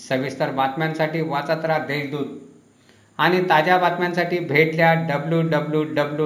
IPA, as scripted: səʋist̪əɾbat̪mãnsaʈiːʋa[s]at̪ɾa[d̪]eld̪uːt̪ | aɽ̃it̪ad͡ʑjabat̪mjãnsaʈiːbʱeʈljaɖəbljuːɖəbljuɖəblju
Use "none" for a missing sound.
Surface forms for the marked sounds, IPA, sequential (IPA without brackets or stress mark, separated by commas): t͡s, d̪